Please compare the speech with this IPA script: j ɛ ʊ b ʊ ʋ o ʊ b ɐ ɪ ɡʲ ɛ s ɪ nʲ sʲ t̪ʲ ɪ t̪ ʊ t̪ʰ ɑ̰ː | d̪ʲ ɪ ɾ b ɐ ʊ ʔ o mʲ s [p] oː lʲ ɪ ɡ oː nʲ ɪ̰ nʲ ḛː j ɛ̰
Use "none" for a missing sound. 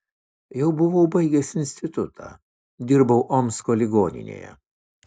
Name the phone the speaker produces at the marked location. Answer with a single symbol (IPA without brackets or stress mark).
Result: k